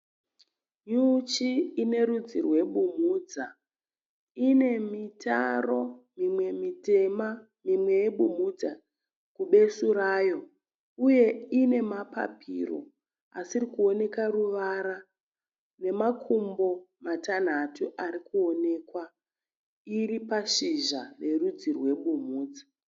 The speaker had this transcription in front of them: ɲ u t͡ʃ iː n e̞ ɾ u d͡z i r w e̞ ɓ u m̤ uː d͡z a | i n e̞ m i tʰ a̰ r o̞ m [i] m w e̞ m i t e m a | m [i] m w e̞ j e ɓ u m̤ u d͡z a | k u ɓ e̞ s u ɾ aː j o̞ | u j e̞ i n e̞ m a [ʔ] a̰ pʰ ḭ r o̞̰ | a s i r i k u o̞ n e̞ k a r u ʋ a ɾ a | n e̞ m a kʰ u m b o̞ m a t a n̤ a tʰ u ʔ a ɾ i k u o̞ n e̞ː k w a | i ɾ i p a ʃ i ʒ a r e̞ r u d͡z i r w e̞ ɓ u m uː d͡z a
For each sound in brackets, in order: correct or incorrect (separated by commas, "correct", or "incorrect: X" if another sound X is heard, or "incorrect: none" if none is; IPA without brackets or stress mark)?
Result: correct, correct, incorrect: p